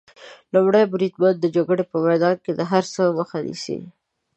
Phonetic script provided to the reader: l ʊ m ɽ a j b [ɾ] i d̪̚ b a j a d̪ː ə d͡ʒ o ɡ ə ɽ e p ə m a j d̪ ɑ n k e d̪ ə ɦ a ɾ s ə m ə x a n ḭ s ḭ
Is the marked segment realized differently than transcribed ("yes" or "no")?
no